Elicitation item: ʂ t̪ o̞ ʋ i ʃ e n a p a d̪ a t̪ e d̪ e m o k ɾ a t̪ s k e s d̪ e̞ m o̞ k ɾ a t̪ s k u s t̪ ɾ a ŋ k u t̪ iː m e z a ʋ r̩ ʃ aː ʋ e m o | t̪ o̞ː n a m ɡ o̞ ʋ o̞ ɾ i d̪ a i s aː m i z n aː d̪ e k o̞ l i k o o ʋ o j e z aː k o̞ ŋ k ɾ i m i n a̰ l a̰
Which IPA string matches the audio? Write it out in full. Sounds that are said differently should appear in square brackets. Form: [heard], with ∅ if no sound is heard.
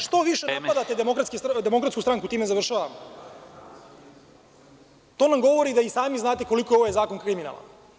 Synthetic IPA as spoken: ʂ t̪ o̞ ʋ i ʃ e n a p a d̪ a t̪ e d̪ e m o k ɾ a t̪ s k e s d̪ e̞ m o̞ k ɾ a t̪ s k u s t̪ ɾ a ŋ k u t̪ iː m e z a ʋ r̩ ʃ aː ʋ [a] m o | t̪ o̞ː n a m ɡ o̞ ʋ o̞ ɾ i d̪ a i s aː m i z n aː [t̪] e k o̞ l i k o o ʋ o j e z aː k o̞ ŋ k ɾ i m i n a̰ l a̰

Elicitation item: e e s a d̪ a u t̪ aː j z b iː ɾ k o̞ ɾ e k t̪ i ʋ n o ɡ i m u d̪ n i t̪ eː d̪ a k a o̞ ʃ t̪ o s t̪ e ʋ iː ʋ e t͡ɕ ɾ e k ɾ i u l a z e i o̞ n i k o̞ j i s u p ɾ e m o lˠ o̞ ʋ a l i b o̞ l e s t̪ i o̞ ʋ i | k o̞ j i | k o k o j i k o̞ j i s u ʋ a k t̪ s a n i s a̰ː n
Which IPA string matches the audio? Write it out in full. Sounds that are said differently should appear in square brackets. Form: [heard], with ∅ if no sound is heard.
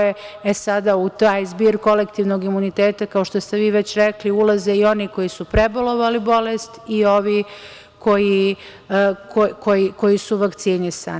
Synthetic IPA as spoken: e e s a d̪ a u t̪ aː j z b iː ɾ k o̞ [l] e k t̪ i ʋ n o ɡ i m u [∅] n i t̪ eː [t̪] a k a o̞ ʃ t̪ o s t̪ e ʋ iː ʋ e t͡ɕ ɾ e k [l] i u l a z e i o̞ n i k o̞ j i s u p ɾ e [b] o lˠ o̞ ʋ a l i b o̞ l e s t̪ i o̞ ʋ i | k o̞ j i | k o k o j i k o̞ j i s u ʋ a k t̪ s [i] n i s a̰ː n

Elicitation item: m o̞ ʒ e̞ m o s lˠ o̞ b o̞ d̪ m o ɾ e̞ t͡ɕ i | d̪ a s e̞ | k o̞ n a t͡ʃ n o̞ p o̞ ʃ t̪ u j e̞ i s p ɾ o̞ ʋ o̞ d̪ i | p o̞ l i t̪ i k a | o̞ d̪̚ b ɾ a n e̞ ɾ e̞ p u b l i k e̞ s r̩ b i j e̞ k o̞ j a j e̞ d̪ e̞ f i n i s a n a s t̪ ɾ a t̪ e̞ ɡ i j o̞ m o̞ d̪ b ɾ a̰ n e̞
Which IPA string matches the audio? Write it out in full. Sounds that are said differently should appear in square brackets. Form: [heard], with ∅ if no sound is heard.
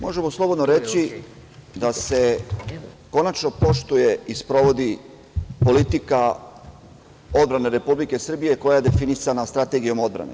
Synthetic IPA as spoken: m o̞ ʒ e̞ m o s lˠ o̞ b o̞ d̪ [n] o ɾ e̞ t͡ɕ i | d̪ a s e̞ | k o̞ n a t͡ʃ n o̞ p o̞ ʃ t̪ u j e̞ i s p ɾ o̞ ʋ o̞ d̪ i | p o̞ l i t̪ i k a | o̞ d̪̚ b ɾ a n e̞ ɾ e̞ p u b l i k e̞ s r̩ b i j e̞ k o̞ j a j e̞ d̪ e̞ f i n i s a n a s t̪ ɾ a t̪ e̞ ɡ i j o̞ m o̞ d̪ b ɾ a̰ n e̞

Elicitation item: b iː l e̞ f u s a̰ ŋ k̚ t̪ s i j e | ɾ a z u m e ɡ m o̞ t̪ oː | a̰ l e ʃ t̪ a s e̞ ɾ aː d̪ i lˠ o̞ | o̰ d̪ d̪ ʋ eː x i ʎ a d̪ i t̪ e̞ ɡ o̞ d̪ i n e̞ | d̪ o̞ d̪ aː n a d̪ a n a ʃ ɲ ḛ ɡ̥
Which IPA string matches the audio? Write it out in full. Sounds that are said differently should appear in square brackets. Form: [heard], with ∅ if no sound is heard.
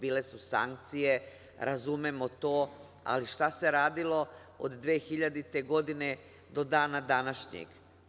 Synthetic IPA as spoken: b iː l e̞ [s] u s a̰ ŋ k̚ t̪ s i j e | ɾ a z u m e [∅] m o̞ t̪ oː | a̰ l [i] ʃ t̪ a s e̞ ɾ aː d̪ i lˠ o̞ | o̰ d̪ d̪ ʋ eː x i ʎ a d̪ i t̪ e̞ ɡ o̞ d̪ i n e̞ | d̪ o̞ d̪ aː n a d̪ a n a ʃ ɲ ḛ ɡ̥

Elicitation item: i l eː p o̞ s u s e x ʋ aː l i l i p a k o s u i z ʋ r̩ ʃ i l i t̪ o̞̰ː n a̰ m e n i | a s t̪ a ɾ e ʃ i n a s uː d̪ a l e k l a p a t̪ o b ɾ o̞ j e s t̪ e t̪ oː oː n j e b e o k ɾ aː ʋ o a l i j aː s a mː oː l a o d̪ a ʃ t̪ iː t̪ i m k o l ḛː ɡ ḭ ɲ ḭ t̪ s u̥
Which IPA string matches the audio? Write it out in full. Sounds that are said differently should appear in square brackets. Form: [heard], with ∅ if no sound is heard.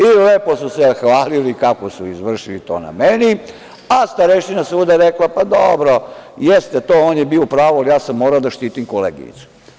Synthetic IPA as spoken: i l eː p o̞ s u s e x ʋ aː l i l i [k] a k o s u i z ʋ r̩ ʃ i l i t̪ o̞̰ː n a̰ m e n i | a s t̪ a ɾ e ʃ i n a s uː d̪ a [ɾ] e k l a p a [d̪] o b ɾ o̞ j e s t̪ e t̪ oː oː n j e b [i] o [p] ɾ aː ʋ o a l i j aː s a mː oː [ɾ] a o d̪ a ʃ t̪ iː t̪ i m k o l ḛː ɡ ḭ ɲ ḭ t̪ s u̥

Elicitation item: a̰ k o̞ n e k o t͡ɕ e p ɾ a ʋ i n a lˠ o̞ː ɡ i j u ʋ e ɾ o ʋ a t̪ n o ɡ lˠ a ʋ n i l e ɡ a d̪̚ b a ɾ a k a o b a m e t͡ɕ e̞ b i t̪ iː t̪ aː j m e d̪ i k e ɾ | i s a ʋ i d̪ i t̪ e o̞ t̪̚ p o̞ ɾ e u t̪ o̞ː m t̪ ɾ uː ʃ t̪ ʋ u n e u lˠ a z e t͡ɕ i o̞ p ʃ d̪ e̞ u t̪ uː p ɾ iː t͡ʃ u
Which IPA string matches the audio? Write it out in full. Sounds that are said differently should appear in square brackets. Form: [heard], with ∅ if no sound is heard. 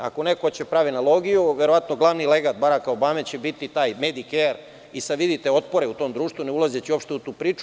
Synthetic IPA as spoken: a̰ k o̞ n e k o t͡ɕ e p ɾ a ʋ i n a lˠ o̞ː ɡ i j u ʋ e ɾ o ʋ a t̪ n o ɡ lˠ a ʋ n i l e ɡ a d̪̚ b a ɾ a k a o b a m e t͡ɕ e̞ b i t̪ [i] t̪ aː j m e d̪ i k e ɾ | i s a ʋ i d̪ i t̪ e o̞ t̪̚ p o̞ ɾ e u t̪ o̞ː m [d̪] ɾ uː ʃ t̪ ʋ u n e u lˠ a z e t͡ɕ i o̞ p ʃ [t̪] e̞ u t̪ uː p ɾ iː t͡ʃ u

